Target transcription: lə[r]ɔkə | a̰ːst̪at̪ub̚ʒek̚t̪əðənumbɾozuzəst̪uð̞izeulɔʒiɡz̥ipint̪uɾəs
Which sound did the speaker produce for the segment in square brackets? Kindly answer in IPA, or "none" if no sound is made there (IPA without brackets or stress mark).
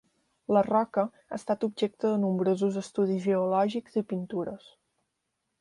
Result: r